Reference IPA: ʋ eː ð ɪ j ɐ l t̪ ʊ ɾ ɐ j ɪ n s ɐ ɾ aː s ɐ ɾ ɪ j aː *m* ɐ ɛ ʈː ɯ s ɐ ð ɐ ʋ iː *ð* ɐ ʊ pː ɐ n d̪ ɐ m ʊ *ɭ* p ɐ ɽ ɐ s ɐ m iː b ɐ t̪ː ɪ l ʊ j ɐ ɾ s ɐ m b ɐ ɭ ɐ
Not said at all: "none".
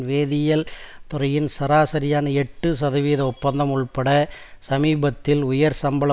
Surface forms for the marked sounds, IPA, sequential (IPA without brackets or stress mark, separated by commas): n, ð, ɭ